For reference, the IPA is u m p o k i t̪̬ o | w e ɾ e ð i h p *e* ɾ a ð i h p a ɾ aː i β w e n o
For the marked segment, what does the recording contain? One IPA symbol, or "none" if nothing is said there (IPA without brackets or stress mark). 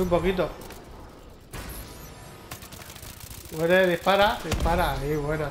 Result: a